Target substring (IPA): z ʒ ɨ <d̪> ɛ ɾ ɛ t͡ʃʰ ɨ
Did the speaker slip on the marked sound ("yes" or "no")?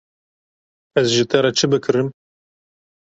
yes